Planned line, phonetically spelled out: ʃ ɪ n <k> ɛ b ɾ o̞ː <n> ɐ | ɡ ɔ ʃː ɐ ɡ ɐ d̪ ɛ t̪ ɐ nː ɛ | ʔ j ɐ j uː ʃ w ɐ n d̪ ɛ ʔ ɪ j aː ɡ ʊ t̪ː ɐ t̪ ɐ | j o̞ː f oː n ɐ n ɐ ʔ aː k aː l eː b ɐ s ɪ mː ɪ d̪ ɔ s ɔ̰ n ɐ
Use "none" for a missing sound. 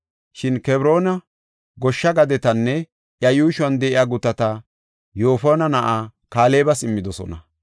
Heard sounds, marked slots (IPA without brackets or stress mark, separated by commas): k, n